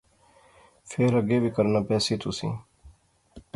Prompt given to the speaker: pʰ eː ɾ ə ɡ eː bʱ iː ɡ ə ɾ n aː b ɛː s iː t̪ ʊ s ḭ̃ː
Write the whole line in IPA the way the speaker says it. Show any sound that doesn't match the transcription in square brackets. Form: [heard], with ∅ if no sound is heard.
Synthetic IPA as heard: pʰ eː ɾ ə ɡ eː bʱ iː [k] ə ɾ n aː [p] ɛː s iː t̪ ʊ s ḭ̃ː